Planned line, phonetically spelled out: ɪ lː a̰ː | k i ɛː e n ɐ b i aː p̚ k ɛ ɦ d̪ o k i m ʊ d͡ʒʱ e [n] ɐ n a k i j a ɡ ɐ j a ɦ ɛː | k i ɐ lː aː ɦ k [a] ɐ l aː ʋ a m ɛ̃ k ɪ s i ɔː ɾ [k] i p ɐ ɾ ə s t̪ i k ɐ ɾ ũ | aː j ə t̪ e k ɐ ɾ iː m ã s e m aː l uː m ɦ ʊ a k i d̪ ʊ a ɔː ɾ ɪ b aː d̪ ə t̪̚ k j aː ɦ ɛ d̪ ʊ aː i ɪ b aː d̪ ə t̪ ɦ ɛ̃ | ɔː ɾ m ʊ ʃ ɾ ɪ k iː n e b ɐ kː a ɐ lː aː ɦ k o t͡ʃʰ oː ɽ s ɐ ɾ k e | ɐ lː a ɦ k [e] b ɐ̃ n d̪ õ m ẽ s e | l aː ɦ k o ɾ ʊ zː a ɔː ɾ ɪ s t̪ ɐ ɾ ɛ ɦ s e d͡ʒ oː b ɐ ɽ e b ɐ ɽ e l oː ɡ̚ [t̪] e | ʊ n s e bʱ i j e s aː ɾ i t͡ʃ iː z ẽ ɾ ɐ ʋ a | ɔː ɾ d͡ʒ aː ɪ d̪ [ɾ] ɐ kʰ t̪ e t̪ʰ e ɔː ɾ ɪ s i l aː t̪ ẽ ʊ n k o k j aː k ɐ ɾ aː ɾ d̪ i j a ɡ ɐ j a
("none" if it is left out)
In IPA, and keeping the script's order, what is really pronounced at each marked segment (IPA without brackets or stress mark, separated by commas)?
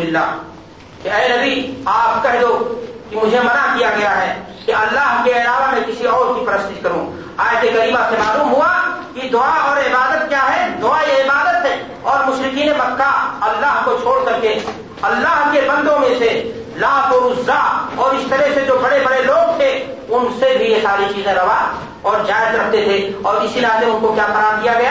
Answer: m, e, k, e, t̪ʰ, ɾ